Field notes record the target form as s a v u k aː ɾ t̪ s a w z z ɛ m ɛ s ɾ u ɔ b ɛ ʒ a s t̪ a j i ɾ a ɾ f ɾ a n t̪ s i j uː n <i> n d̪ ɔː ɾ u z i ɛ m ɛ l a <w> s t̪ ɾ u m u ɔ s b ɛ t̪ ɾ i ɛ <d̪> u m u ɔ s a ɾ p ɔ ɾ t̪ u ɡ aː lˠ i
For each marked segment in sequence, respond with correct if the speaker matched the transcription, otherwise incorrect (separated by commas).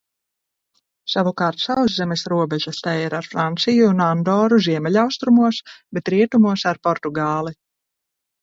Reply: incorrect, correct, incorrect